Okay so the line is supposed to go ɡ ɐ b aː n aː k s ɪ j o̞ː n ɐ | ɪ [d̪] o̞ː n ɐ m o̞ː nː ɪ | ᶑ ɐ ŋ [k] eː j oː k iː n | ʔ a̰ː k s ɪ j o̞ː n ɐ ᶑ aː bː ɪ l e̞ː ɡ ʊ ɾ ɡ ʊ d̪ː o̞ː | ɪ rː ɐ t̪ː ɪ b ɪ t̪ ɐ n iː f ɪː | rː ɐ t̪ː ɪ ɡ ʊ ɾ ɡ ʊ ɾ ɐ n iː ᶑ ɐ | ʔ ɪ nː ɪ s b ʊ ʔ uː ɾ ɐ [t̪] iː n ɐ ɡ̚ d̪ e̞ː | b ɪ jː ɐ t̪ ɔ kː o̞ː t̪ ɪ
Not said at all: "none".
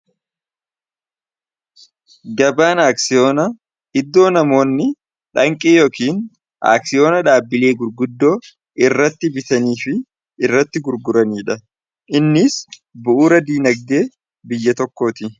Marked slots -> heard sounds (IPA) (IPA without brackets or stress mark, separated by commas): d̪ː, kʼ, d̪